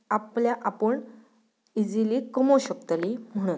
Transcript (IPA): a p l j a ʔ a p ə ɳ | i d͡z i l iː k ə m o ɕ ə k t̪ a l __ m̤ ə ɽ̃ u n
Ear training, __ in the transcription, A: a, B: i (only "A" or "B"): B